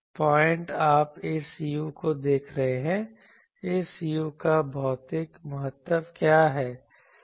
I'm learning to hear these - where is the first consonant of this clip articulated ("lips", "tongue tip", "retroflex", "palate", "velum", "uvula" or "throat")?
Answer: lips